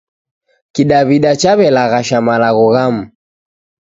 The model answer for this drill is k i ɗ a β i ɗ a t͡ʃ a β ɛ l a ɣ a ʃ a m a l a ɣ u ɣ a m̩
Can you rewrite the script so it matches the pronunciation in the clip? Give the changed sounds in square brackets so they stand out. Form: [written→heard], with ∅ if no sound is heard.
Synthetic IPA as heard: k i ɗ a β i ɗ a t͡ʃ a β ɛ l a ɣ a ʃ a m a l a ɣ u ɣ a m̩

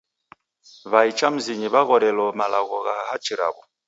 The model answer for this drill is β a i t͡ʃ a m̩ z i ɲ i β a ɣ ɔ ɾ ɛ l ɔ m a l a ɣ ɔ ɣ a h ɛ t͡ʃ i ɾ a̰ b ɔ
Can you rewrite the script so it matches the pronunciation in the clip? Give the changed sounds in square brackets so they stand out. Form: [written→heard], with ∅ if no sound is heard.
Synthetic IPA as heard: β a i t͡ʃ a m̩ z i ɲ i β a ɣ ɔ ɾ ɛ l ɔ m a l a ɣ ɔ ɣ a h [ɛ→a] t͡ʃ i ɾ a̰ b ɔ

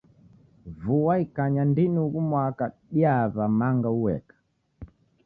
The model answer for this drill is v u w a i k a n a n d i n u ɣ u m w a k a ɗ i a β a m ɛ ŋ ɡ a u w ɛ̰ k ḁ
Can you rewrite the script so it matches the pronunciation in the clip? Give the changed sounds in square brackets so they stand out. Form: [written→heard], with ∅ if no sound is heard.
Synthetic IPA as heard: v u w a i k a [n→ɲ] a n d i n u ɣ u m w a k a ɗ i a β a m [ɛ→a] ŋ ɡ a u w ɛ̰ k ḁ

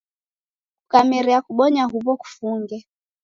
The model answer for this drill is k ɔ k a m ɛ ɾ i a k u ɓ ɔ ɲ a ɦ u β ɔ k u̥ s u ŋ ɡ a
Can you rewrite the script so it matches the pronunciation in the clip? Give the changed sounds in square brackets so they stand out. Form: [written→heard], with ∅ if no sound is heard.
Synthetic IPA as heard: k [ɔ→u] k a m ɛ ɾ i a k u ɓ ɔ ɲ a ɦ u β ɔ k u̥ [s→f] u ŋ ɡ [a→ɛ]

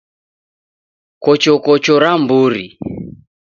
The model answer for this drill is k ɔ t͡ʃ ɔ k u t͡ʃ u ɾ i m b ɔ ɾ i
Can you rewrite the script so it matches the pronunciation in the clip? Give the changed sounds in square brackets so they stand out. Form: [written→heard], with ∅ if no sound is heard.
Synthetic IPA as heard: k ɔ t͡ʃ ɔ k [u→ɔ] t͡ʃ [u→ɔ] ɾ [i→a] m b [ɔ→u] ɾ i

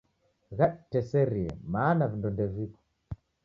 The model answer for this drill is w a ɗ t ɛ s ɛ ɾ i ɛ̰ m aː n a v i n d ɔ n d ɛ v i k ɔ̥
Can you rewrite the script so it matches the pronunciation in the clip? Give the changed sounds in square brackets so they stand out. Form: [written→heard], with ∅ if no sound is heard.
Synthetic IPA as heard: [w→ɣ] a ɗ t ɛ s ɛ ɾ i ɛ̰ m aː n a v i n d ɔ n d ɛ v i k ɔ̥

